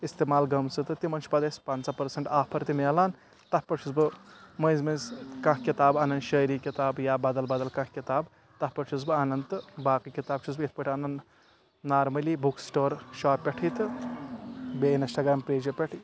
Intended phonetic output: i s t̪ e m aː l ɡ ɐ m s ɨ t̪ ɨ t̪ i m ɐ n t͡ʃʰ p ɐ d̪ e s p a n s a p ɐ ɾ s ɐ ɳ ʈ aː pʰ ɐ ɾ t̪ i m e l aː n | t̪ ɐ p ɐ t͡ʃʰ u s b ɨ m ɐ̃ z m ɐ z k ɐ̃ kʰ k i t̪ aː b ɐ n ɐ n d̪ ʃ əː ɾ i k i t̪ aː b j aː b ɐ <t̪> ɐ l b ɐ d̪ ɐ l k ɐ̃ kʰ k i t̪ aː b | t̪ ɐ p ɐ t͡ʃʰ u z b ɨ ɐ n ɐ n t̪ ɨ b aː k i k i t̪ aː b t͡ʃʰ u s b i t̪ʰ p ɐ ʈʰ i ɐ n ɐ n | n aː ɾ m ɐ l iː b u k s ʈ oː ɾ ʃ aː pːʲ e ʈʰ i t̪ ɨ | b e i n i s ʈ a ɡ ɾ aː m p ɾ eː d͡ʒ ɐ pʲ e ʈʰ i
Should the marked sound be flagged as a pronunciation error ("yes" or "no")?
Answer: yes